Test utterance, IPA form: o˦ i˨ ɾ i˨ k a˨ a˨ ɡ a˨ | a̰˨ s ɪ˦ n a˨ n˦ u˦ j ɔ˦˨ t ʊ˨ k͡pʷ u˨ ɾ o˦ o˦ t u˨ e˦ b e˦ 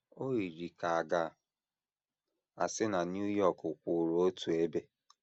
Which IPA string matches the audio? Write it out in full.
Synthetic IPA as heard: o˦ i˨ ɾ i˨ k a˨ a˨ ɡ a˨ | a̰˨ s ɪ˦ n a˨ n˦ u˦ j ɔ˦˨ k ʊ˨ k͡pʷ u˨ ɾ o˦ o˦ t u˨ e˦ b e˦

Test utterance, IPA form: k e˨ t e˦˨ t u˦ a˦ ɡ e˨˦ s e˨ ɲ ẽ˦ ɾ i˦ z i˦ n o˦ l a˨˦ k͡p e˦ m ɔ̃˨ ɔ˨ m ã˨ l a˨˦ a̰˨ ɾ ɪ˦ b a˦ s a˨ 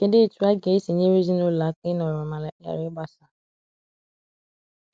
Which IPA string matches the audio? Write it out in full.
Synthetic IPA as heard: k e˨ d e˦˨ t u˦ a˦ ɡ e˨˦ s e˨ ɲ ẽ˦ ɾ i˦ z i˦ n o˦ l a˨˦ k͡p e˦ n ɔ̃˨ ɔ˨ m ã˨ l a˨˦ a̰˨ ɾ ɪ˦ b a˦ s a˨

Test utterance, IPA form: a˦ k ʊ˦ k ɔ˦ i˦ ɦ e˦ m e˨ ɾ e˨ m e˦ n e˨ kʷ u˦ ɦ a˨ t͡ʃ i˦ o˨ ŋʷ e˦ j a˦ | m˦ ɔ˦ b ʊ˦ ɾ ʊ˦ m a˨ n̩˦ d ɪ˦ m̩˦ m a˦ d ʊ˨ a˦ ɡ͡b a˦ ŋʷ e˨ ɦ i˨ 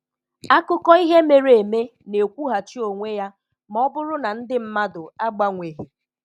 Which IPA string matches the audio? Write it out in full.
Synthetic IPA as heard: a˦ k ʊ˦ k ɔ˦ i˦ ɦ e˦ m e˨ ɾ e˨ m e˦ n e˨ kʷ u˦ ɦ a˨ t͡ʃ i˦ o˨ ŋʷ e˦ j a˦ | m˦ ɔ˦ b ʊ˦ ɾ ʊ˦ n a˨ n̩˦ d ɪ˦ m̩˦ m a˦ d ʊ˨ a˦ ɡ͡b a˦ ŋʷ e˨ ɦ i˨

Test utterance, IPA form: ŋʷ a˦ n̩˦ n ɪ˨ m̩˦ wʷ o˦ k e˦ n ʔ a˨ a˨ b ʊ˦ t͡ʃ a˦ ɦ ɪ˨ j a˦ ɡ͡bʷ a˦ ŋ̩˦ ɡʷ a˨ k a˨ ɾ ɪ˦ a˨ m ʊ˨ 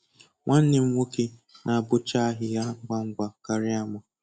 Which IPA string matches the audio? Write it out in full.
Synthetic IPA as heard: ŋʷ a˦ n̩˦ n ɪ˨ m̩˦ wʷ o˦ k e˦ n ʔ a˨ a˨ b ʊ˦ t͡ʃ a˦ ɦ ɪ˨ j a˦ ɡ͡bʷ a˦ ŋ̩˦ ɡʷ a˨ k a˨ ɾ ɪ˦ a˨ m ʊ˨

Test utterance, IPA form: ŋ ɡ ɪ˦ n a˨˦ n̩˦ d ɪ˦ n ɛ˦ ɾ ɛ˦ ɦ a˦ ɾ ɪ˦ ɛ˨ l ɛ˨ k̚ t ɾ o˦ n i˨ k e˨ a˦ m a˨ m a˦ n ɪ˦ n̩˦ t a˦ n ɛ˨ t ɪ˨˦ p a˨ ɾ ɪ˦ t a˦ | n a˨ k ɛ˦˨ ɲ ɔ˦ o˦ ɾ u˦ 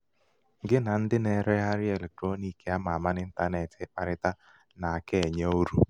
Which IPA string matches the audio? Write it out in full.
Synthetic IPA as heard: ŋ ɡ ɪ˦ n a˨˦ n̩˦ d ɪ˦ n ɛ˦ ɾ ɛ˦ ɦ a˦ ɾ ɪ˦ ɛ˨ l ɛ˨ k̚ t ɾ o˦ n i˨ k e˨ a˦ m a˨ m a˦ n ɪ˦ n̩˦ t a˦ n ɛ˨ t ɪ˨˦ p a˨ ɾ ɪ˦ t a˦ | n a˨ k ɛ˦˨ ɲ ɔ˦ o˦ ɾ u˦

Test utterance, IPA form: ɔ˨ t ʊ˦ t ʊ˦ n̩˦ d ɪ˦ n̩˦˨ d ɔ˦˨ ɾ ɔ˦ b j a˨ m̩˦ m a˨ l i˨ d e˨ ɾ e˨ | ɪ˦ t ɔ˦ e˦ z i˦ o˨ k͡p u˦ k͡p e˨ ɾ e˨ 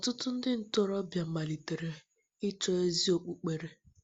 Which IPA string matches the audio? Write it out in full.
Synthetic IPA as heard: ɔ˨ t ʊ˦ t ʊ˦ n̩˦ d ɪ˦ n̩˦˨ t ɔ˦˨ ɾ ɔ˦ b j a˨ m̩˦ m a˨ l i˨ t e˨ ɾ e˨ | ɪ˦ t͡ʃ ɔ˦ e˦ z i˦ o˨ k͡p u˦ k͡p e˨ ɾ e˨

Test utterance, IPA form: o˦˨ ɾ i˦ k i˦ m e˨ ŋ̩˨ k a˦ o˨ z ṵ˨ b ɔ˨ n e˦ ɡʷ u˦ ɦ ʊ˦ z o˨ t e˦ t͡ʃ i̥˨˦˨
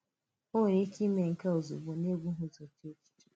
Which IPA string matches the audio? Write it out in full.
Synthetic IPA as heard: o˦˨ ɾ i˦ k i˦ m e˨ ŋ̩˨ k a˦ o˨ z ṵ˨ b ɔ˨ n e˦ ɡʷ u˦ ɦ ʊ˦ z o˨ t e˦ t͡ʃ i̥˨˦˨

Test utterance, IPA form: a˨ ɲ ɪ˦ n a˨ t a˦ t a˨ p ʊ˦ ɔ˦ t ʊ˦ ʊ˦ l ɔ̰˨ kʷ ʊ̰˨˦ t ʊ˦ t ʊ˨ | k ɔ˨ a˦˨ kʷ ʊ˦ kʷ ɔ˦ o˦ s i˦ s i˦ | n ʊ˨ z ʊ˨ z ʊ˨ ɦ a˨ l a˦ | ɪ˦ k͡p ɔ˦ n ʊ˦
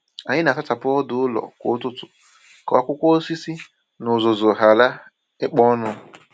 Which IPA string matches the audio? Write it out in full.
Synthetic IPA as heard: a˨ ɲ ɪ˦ n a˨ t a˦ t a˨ p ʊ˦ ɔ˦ d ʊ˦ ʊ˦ l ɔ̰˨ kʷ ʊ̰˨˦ t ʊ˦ t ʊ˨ | k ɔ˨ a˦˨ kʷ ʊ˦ kʷ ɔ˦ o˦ s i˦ s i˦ | n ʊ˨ z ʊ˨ z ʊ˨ ɦ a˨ l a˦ | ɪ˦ k͡p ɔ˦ n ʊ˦

